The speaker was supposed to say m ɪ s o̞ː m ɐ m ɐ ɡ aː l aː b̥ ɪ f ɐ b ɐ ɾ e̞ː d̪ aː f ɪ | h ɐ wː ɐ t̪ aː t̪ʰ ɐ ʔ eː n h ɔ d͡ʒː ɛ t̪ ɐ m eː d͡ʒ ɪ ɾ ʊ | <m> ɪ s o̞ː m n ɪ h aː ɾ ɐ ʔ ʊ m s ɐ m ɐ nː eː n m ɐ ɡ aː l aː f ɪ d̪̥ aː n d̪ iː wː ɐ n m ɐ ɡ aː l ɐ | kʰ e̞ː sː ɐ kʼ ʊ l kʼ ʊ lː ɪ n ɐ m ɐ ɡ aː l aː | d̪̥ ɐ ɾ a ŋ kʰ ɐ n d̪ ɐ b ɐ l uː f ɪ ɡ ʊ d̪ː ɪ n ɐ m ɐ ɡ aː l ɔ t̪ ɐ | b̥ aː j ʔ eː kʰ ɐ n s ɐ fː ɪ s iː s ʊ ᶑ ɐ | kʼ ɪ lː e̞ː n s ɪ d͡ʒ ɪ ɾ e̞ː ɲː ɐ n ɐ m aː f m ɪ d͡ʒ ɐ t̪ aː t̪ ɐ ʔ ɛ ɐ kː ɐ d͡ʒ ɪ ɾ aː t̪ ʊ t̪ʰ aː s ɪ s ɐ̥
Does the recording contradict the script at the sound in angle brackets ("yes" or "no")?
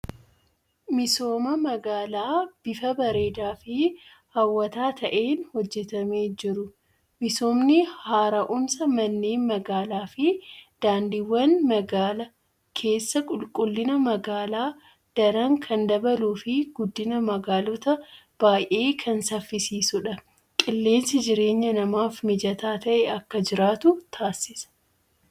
no